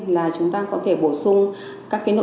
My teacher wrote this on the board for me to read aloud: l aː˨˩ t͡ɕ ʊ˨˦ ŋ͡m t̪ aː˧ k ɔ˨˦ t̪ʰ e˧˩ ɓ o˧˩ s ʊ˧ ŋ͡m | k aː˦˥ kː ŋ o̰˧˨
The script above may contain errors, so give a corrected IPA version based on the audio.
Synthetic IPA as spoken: l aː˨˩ t͡ɕ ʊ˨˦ ŋ͡m t̪ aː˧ k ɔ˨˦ t̪ʰ e˧˩ ɓ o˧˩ s ʊ˧ ŋ͡m | k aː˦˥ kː n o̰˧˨